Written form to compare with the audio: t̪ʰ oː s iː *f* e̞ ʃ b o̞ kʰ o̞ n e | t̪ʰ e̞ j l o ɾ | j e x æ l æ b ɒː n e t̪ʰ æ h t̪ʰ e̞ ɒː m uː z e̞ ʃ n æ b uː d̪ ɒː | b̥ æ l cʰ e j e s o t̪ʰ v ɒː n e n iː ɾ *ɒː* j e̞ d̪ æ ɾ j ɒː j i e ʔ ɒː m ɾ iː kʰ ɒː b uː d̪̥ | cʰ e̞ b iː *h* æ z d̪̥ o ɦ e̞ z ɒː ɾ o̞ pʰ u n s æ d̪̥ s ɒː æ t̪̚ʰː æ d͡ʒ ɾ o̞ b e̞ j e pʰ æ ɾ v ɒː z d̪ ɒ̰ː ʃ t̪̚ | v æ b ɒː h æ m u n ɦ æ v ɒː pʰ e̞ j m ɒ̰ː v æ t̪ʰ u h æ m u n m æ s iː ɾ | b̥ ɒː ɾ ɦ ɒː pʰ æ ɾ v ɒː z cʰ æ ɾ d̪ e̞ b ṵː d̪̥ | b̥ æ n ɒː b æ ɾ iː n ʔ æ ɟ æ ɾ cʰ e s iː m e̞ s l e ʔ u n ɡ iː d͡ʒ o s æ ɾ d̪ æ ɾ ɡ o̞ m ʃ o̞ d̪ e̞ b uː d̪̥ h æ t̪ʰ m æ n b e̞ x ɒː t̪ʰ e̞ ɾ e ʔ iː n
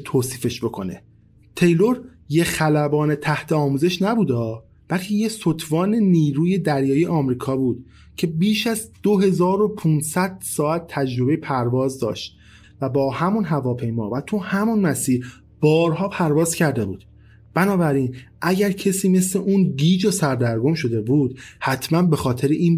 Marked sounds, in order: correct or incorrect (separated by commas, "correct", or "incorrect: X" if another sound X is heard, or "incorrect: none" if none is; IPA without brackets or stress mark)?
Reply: correct, incorrect: uː, incorrect: ʃ